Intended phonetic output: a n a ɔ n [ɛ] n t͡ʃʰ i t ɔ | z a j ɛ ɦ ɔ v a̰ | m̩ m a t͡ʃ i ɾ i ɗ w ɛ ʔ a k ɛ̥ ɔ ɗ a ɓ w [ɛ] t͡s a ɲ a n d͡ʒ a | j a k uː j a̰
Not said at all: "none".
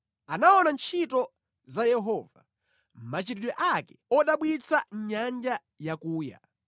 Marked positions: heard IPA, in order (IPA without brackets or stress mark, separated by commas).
a, i